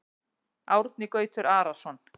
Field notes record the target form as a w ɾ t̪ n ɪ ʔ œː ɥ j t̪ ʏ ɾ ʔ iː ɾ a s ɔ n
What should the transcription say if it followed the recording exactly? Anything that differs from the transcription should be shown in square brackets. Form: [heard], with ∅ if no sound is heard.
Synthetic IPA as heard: a w ɾ t̪ n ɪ [k] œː ɥ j t̪ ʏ ɾ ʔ [aː] ɾ a s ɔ n